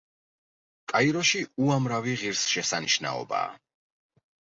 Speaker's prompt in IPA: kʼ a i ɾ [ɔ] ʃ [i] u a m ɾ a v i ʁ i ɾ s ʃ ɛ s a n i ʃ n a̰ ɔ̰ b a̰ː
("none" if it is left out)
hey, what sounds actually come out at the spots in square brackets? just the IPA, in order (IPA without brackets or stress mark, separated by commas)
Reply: ɔ, i